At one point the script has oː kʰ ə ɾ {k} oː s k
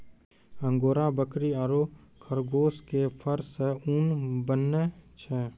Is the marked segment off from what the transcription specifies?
yes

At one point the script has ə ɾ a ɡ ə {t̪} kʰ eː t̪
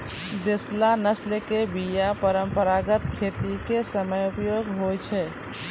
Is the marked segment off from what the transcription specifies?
no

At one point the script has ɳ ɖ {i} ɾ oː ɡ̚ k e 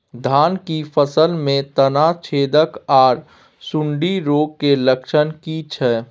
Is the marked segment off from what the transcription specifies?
no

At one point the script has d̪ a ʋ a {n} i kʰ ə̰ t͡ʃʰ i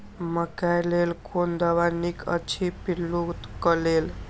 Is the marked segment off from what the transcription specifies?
no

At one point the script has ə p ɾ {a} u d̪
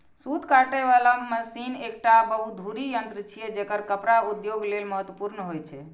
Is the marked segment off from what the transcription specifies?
no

